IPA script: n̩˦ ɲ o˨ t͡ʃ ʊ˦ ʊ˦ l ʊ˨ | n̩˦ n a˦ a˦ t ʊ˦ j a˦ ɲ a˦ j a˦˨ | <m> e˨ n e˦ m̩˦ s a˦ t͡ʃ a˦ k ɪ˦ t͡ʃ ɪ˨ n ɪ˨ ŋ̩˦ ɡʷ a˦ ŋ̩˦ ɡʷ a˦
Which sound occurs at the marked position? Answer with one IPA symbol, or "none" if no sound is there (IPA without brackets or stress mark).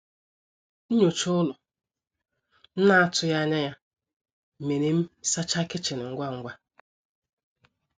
m